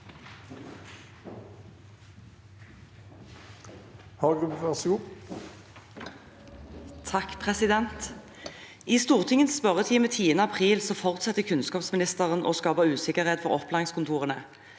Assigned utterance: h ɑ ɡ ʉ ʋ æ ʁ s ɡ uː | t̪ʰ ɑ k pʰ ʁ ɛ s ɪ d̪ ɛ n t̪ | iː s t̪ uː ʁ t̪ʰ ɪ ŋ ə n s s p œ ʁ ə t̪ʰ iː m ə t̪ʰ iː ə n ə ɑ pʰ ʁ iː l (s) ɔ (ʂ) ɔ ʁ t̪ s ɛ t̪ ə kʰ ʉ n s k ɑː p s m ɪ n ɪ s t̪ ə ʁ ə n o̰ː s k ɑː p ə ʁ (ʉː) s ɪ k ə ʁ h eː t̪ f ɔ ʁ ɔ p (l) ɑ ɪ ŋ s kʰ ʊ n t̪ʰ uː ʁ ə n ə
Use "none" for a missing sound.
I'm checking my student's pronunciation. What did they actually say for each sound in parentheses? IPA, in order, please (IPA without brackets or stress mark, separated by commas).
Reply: s, f, ʉː, l